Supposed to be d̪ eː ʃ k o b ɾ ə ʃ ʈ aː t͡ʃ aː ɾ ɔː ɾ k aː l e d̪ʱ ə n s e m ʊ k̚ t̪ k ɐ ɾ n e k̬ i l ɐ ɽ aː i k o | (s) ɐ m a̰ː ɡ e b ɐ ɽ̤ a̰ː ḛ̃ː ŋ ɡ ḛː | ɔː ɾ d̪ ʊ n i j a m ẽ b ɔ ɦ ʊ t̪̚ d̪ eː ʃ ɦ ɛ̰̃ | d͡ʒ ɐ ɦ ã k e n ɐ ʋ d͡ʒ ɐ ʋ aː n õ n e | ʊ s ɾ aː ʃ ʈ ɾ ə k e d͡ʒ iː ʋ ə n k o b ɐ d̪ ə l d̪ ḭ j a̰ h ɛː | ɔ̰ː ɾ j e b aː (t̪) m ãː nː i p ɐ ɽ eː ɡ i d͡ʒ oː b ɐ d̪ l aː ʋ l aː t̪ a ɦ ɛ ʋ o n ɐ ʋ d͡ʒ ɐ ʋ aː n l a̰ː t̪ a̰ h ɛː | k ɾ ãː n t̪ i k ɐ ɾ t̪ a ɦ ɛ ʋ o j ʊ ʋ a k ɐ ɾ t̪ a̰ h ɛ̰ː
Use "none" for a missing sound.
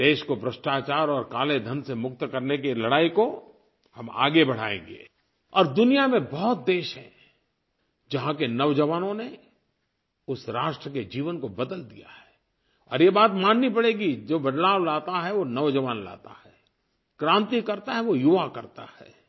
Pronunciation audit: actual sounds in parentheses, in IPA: h, t̪

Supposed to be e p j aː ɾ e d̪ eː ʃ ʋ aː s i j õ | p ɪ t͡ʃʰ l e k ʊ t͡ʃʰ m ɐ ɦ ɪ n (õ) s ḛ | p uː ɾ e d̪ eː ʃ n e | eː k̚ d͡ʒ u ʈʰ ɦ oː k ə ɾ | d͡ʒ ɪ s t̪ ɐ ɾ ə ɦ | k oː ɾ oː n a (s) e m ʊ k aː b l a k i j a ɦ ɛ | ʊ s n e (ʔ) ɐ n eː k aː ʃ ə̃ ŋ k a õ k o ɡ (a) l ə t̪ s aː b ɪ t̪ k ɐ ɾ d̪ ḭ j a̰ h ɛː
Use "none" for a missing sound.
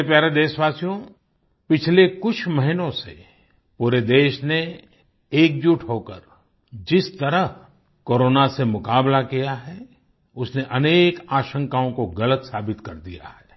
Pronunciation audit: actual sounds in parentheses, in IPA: õ, s, ʔ, ɐ

